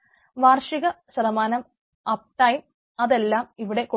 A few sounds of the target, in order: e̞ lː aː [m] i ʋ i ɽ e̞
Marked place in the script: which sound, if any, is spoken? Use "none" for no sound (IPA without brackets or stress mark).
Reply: m